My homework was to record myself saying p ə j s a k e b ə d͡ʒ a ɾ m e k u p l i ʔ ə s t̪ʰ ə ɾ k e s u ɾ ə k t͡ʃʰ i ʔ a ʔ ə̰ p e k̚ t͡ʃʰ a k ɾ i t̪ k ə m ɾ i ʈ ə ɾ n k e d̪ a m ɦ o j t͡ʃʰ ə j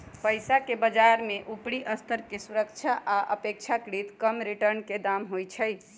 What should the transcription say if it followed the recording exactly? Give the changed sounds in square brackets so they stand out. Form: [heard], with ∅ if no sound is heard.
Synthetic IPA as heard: p ə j s a k e b ə d͡ʒ a ɾ m e [ʔ] u p [ɽ] i ʔ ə s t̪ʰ ə ɾ k e s u ɾ ə k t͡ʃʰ [a] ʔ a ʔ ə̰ p e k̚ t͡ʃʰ a k ɾ i t̪ k ə m ɾ i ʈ ə ɾ n k e d̪ a m ɦ o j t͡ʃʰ ə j